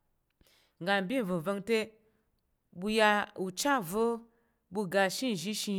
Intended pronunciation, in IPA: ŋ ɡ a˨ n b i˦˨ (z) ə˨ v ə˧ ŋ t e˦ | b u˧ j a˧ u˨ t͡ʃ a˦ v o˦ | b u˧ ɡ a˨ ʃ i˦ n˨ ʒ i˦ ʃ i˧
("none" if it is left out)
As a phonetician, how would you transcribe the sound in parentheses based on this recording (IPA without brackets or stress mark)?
v